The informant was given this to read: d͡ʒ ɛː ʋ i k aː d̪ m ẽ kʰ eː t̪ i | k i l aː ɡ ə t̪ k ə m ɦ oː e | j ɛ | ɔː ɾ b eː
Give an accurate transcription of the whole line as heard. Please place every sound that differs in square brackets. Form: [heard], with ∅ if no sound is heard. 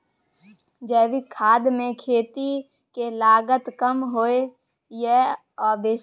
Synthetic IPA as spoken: d͡ʒ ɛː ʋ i [kʰ] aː d̪ m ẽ kʰ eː t̪ i | k [e] l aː ɡ ə t̪ k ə m ɦ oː e | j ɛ | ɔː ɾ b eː